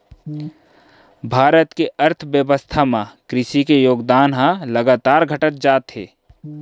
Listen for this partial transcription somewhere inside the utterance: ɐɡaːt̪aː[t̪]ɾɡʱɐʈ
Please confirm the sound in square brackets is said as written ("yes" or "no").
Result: no